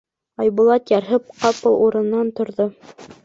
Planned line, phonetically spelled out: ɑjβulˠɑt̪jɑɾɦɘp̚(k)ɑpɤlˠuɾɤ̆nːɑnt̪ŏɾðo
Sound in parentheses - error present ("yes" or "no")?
yes